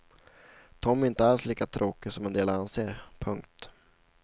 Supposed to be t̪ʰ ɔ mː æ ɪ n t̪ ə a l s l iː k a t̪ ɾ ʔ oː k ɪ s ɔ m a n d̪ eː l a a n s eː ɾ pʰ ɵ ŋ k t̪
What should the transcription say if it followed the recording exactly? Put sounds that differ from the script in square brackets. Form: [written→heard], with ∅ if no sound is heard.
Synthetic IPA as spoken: t̪ʰ ɔ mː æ ɪ n t̪ ə a l s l iː k a [t̪→t̪ʰ] ɾ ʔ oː k ɪ s ɔ m [a→ɛ] n d̪ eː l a a n s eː ɾ pʰ ɵ ŋ k t̪